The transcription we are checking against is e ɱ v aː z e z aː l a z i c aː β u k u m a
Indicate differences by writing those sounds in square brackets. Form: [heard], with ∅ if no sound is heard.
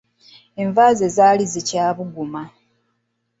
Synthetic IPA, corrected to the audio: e ɱ v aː z e z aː l [i] z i c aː β u [ɡ] u m a